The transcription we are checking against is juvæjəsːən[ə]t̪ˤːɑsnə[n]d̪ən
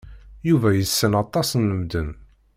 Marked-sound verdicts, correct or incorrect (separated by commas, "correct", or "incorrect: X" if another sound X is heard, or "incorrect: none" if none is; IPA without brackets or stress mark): incorrect: ɑ, incorrect: m